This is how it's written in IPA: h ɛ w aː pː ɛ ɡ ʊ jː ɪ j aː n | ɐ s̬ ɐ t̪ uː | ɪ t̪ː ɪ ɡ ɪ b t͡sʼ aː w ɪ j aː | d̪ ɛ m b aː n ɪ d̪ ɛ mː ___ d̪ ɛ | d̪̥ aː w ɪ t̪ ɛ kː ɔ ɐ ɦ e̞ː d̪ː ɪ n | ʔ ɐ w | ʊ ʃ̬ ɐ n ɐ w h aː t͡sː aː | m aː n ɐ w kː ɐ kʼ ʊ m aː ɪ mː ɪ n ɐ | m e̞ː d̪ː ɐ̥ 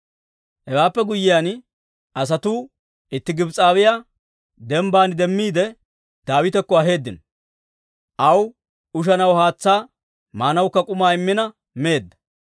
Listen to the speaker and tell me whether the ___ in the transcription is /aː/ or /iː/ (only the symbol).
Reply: iː